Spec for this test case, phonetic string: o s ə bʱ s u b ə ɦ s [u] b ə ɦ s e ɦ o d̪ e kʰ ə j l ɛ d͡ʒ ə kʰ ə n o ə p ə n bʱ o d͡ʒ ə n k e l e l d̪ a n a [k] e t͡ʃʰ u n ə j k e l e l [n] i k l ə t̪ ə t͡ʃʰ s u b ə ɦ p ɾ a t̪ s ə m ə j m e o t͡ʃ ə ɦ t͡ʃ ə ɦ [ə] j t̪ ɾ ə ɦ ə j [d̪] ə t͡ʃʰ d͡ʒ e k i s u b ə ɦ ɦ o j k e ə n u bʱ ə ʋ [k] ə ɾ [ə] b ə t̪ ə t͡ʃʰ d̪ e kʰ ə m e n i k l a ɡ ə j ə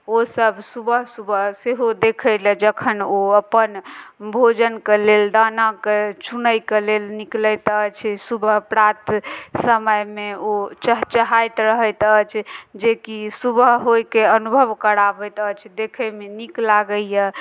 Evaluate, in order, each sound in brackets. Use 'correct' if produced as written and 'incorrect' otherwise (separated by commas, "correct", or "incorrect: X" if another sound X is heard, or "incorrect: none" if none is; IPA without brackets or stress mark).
correct, correct, correct, incorrect: a, incorrect: t̪, correct, incorrect: a